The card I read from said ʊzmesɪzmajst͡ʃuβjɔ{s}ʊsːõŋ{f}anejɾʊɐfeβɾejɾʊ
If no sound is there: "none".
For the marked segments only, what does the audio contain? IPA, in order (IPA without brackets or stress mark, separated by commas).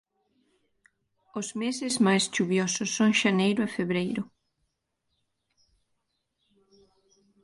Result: s, ʃ